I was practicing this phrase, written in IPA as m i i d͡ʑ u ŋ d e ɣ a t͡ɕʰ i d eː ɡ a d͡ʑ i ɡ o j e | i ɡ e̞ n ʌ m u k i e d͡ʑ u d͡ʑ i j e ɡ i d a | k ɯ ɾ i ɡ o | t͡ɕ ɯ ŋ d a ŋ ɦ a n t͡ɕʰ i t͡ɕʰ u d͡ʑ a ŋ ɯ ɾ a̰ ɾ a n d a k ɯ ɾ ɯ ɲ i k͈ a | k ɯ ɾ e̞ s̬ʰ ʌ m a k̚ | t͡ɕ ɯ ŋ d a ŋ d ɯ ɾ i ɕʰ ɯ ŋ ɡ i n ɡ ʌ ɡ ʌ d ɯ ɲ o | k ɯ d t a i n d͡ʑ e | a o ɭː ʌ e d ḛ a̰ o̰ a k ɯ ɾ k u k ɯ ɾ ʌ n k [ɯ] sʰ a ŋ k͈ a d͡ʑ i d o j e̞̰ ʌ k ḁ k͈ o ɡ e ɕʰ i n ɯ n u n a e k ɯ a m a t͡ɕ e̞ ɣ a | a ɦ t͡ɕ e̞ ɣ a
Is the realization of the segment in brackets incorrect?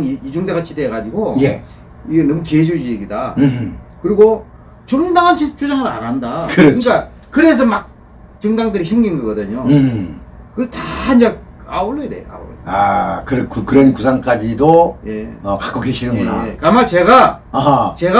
yes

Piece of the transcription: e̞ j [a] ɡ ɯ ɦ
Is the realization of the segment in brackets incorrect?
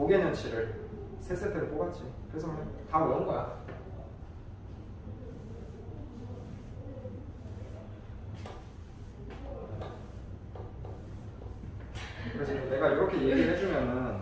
yes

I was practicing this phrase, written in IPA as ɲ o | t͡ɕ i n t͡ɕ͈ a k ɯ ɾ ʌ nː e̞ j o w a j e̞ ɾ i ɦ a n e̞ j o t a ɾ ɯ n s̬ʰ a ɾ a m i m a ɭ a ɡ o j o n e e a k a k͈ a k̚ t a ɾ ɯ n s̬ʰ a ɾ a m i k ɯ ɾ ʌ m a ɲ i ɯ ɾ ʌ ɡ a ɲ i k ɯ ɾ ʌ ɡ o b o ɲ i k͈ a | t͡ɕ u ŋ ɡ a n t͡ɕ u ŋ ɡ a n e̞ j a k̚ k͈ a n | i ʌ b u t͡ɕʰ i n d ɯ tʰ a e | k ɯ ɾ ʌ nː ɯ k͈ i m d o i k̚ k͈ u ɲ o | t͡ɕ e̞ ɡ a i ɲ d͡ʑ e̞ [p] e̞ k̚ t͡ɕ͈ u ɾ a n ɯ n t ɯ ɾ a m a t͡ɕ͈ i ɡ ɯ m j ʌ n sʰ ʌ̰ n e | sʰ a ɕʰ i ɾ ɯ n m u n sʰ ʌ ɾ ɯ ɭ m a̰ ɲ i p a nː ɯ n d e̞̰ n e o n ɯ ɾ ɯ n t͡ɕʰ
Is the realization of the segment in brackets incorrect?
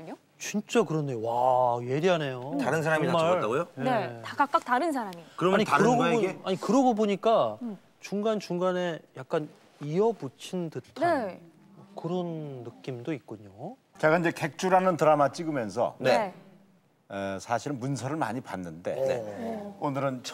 yes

